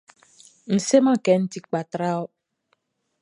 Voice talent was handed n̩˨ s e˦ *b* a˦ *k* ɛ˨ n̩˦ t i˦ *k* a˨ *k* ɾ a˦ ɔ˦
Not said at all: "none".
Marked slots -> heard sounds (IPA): m, k, k͡p, t

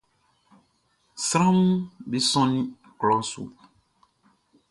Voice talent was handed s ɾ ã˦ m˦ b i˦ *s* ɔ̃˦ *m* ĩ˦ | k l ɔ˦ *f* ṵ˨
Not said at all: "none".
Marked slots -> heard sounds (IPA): s, n, s

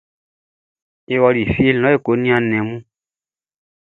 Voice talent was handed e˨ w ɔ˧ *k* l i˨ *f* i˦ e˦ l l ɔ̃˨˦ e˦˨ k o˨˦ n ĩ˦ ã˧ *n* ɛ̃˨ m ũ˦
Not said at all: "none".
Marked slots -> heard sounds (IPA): none, f, n

